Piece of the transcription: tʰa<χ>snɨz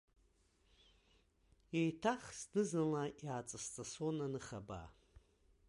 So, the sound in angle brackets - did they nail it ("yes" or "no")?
yes